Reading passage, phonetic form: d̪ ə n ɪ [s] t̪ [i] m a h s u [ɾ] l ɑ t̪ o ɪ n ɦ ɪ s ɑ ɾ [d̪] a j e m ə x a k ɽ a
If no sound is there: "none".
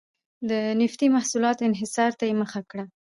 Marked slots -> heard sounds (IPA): f, i, none, t̪

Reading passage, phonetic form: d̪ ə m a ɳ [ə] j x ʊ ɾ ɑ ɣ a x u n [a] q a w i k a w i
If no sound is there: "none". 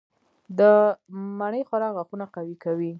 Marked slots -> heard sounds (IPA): ə, a

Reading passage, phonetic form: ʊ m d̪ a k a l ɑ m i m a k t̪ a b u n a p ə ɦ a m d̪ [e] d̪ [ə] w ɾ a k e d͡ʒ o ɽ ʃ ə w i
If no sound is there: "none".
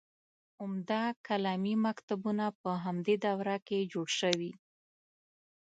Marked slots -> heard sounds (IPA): e, a

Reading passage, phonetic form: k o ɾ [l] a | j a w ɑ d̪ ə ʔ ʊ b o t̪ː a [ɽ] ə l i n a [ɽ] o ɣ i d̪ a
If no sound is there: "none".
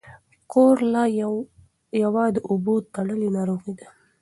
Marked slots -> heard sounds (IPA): l, ɽ, ɾ

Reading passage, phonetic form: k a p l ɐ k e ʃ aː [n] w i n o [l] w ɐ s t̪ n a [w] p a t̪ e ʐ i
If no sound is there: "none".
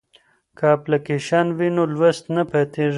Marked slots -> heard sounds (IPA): n, l, none

